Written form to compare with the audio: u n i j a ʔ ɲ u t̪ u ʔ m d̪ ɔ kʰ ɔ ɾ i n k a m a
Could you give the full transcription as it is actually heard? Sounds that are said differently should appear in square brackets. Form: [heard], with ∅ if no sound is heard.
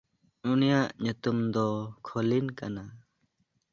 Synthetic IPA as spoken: u n i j a ʔ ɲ u t̪ u [∅] m d̪ ɔ kʰ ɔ [l] i n k a [n] a